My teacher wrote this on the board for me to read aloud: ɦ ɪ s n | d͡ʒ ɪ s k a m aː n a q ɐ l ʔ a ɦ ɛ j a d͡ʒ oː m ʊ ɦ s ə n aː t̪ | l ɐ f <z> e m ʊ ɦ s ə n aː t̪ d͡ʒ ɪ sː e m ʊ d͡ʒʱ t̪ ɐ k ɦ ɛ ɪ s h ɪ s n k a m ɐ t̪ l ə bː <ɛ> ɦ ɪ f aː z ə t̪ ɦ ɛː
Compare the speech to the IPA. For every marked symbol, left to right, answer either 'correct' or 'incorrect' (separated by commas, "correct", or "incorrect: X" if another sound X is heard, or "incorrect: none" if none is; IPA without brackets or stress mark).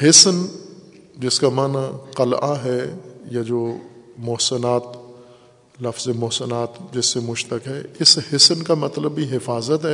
correct, incorrect: i